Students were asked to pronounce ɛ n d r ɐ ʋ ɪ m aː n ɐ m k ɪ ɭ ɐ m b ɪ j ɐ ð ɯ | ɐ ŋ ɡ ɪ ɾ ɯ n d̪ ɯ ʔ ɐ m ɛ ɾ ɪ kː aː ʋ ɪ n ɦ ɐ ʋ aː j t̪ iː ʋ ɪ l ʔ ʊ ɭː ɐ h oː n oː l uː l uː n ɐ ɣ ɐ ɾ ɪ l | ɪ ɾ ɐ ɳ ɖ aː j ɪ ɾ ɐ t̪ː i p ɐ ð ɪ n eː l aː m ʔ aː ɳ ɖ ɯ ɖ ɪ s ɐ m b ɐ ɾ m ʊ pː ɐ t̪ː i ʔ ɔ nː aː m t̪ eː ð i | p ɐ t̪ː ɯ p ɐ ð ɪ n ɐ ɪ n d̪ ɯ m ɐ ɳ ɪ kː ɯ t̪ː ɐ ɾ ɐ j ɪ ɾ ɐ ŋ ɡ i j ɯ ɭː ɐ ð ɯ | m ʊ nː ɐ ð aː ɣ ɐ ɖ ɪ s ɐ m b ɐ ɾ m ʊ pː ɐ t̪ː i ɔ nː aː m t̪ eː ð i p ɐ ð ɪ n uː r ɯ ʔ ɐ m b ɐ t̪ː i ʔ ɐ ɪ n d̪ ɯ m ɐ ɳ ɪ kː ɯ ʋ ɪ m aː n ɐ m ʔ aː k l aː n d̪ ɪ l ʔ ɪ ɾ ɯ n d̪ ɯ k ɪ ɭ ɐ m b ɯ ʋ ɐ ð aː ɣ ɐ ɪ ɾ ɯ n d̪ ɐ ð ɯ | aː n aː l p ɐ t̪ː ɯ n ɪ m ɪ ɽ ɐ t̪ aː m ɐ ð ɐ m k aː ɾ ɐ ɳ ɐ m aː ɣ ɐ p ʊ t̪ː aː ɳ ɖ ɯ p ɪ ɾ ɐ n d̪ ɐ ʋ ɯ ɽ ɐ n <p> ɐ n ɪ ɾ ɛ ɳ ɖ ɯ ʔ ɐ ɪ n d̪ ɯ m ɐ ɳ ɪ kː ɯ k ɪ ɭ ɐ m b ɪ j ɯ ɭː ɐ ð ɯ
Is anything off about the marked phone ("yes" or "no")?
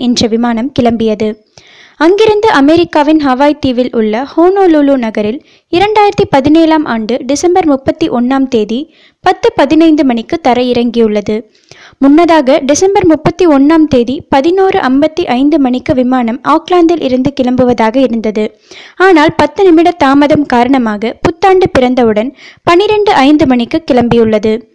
no